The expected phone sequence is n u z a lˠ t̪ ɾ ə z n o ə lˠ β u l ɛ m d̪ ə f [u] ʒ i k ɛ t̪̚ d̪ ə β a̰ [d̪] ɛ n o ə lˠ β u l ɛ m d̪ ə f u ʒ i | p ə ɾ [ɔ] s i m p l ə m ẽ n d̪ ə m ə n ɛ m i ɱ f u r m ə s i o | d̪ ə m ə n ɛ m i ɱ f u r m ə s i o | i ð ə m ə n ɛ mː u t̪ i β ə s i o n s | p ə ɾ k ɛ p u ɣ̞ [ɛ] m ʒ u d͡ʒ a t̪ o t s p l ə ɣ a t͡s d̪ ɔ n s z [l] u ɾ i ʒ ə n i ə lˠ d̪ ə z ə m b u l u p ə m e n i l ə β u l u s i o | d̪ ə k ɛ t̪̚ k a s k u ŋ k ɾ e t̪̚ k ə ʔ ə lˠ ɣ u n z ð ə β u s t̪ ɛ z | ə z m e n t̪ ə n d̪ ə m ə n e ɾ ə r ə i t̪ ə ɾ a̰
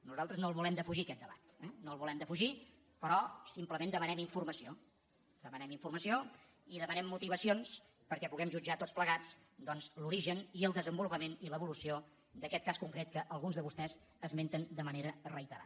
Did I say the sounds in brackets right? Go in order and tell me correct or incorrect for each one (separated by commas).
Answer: correct, incorrect, correct, correct, correct